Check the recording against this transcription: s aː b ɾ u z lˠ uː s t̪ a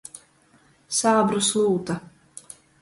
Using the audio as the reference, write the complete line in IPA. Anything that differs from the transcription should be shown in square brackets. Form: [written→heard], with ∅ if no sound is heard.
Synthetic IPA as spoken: s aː b ɾ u [z→s] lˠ uː [s→∅] t̪ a

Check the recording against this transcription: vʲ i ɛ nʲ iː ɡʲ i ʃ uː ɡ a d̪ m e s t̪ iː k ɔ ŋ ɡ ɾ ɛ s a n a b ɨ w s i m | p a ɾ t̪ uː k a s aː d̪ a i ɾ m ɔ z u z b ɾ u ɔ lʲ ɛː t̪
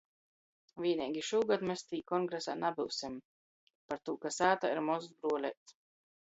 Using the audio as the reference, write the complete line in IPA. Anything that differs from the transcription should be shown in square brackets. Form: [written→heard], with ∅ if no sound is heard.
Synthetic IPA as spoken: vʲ i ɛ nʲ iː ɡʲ i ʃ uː ɡ a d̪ m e s t̪ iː k ɔ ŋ ɡ ɾ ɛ s a n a b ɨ w s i m | p a ɾ t̪ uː k a s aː [d̪→t̪] a i ɾ m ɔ z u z b ɾ u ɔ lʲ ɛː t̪

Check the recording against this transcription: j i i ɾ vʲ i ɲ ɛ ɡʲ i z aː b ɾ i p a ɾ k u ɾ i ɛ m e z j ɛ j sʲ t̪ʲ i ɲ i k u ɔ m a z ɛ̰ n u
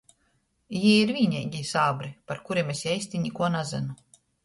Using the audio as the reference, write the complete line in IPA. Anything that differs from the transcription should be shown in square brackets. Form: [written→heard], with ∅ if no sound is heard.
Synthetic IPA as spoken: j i i ɾ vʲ i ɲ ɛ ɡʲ i [z→s] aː b ɾ i p a ɾ k u ɾ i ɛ m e [z→s] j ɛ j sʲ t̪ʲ i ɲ i k u ɔ [m→n] a z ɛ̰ n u

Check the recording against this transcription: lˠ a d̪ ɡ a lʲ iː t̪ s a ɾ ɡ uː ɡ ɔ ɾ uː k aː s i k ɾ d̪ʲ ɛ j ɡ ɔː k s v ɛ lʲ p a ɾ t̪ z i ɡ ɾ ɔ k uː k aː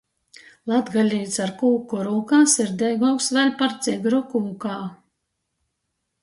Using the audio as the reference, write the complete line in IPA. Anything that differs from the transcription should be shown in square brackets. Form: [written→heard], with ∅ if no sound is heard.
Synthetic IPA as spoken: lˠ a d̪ ɡ a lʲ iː t̪ s a ɾ [ɡ→k] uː [ɡ→k] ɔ ɾ uː k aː s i [k→∅] ɾ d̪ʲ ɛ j ɡ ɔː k s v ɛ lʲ p a ɾ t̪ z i ɡ ɾ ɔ k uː k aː

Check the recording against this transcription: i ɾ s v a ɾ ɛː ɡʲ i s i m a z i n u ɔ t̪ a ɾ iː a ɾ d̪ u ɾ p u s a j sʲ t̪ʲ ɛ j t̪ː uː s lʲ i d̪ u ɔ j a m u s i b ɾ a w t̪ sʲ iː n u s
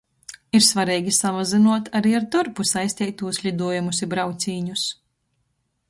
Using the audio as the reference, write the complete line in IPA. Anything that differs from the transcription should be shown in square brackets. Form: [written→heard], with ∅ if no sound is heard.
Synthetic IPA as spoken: i ɾ s v a ɾ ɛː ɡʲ i s [i→a] m a z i n u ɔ t̪ a ɾ iː a ɾ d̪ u ɾ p u s a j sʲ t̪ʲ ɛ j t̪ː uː s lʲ i d̪ u ɔ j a m u s i b ɾ a w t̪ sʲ iː [n→ɲ] u s

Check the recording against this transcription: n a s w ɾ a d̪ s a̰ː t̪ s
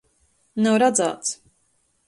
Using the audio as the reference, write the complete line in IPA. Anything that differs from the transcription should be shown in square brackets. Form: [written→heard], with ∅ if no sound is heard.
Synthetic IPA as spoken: n a [s→∅] w ɾ a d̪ [s→z] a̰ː t̪ s

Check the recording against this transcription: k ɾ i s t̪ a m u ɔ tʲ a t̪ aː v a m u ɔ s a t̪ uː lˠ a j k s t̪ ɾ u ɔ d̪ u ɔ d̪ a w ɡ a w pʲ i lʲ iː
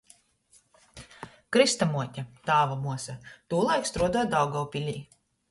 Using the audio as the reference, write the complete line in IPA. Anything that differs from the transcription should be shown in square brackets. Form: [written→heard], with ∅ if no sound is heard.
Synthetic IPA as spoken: k ɾ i s t̪ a m u ɔ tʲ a t̪ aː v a m u ɔ s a t̪ uː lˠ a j k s t̪ ɾ u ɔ d̪ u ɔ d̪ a w ɡ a w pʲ i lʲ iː

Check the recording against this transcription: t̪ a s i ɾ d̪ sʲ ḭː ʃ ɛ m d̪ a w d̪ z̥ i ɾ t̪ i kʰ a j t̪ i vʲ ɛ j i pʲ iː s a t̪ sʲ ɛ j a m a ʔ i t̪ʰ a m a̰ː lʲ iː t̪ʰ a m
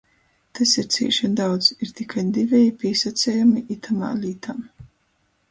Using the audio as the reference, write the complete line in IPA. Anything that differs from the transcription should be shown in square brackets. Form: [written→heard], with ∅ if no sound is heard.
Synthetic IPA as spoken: t̪ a s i ɾ [d̪→t̪] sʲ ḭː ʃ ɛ [m→n] d̪ a w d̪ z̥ i ɾ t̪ i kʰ a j [t̪→d̪] i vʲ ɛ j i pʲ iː s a t̪ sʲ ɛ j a m [a→i] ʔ i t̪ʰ a m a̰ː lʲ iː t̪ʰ a m

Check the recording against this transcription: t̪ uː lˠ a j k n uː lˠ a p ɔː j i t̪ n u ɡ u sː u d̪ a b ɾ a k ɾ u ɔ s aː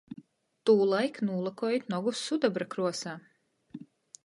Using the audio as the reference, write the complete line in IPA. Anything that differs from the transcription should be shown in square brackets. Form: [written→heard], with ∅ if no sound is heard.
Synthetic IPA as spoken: t̪ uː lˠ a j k n uː lˠ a [p→k] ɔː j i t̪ n [u→ɔ] ɡ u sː u d̪ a b ɾ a k ɾ u ɔ s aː

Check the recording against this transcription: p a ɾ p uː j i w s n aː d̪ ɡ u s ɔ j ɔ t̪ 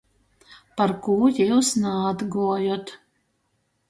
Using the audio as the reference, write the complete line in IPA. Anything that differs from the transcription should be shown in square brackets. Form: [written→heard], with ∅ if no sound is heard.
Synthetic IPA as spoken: p a ɾ [p→k] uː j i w s n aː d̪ ɡ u [s→∅] ɔ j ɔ t̪

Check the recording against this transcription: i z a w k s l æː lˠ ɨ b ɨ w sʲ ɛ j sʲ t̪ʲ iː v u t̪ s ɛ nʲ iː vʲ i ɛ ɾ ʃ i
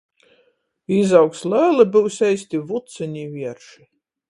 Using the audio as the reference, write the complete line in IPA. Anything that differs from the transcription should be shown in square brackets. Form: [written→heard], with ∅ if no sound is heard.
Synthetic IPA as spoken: i z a w k s l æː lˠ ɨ b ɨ w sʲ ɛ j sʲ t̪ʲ [iː→i] v u t̪ s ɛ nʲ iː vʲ i ɛ ɾ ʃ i

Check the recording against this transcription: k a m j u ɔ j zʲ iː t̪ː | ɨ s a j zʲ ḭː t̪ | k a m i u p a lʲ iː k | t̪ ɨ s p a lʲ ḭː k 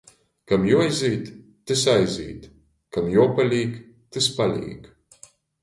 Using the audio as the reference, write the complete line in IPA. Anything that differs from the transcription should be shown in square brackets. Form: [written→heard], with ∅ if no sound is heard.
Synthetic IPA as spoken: k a m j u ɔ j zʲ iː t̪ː | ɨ s a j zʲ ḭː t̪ | k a m [i→j] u p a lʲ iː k | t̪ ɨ s p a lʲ ḭː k

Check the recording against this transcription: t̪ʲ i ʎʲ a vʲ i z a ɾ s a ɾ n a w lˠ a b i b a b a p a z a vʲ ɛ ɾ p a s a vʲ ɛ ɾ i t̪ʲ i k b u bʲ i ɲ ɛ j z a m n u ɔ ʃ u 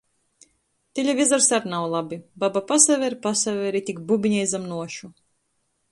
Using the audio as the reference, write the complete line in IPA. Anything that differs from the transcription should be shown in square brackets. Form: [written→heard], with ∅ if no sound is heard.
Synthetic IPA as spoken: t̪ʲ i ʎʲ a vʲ i z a ɾ s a ɾ n a w lˠ a b i b a b a p a [z→s] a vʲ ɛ ɾ p a s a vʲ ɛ ɾ i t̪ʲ i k b u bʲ i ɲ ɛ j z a m n u ɔ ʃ u

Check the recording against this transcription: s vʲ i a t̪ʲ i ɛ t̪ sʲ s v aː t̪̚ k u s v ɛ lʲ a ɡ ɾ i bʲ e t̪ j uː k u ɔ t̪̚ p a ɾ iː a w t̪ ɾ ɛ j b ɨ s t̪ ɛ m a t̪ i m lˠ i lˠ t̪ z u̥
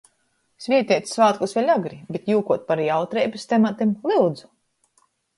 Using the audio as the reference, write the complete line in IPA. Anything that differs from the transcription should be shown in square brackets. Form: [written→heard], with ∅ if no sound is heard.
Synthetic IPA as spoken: s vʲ i [a→ɛ] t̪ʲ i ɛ t̪ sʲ s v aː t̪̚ k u s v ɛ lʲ a ɡ ɾ i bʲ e t̪ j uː k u ɔ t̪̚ p a ɾ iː a w t̪ ɾ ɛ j b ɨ s t̪ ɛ m a t̪ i m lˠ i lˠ [t̪→d̪] z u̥

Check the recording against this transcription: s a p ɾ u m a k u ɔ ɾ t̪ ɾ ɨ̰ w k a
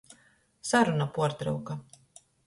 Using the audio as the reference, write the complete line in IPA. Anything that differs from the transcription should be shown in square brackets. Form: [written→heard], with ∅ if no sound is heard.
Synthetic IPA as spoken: s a [p→∅] ɾ u [m→n] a [k→p] u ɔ ɾ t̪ ɾ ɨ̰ w k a

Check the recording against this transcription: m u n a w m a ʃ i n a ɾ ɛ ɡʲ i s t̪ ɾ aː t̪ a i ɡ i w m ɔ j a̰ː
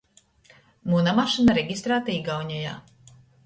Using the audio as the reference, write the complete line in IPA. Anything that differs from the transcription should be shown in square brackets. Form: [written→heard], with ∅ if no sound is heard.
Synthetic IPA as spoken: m u n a [w→∅] m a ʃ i n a ɾ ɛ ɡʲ i s t̪ ɾ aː t̪ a i ɡ [i→a] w [m→ɲ] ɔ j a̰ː

